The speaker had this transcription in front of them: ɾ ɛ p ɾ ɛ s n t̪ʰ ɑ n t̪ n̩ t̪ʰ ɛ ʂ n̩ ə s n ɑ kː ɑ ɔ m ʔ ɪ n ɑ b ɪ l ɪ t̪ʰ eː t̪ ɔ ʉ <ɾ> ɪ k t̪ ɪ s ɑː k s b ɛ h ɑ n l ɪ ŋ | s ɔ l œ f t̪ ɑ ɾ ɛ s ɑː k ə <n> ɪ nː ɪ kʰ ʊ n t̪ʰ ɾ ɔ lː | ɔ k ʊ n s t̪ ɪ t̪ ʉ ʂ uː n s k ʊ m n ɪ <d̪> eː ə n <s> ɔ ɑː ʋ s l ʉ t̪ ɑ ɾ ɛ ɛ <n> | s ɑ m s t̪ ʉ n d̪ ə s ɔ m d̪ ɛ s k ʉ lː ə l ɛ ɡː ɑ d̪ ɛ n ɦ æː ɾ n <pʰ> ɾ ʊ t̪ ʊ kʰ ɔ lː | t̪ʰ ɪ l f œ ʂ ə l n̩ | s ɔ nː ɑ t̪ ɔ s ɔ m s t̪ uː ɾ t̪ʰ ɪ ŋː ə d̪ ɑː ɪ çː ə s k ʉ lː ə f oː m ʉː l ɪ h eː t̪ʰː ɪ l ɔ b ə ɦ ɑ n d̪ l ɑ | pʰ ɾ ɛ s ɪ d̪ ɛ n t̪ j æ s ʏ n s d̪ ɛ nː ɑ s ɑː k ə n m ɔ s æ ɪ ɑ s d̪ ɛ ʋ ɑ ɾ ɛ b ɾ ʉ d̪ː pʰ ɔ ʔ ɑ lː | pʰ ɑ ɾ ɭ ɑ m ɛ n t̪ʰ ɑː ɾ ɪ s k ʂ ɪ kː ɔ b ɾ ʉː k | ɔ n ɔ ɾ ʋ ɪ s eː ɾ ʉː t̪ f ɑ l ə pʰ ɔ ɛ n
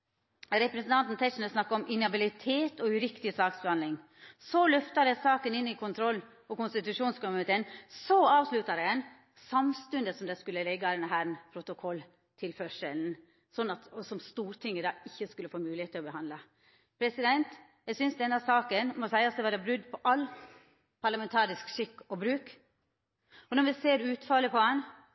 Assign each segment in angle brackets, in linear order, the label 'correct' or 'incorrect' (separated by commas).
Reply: correct, correct, incorrect, correct, correct, correct